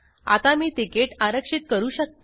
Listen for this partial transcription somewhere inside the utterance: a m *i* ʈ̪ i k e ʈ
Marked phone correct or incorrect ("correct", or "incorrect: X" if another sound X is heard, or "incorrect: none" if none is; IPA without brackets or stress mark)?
incorrect: iː